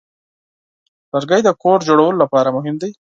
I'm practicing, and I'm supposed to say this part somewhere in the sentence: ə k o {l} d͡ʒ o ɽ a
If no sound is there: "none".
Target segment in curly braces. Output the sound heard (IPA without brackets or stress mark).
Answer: ɾ